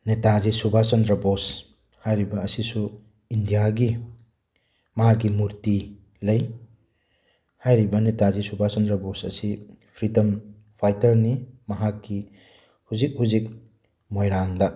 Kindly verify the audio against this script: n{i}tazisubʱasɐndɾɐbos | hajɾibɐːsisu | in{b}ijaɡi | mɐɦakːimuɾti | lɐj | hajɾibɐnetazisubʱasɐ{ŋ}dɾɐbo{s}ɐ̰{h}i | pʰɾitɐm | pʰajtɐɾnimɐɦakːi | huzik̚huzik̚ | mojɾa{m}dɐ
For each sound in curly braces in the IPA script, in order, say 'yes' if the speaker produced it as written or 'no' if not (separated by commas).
no, no, no, yes, no, no